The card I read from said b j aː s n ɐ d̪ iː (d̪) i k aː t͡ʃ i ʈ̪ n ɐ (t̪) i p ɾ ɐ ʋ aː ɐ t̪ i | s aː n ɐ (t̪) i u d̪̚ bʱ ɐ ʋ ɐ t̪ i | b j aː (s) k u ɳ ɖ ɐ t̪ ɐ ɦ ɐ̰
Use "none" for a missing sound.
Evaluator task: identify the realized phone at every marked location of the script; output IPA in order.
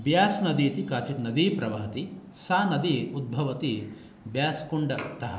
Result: t̪, d̪, d̪, s

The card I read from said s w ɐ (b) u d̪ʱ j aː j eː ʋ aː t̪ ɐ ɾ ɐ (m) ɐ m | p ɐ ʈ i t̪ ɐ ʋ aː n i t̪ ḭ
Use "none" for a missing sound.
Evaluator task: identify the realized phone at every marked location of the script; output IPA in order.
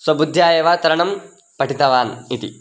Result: b, ɳ

